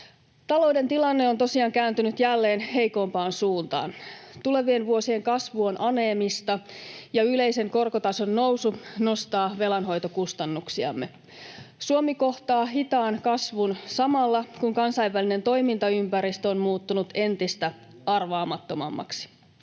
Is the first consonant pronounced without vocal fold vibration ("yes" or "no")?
yes